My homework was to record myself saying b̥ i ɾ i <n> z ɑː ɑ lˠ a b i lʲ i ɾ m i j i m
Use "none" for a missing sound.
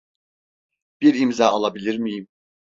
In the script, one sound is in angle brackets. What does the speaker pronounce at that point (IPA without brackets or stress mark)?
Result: m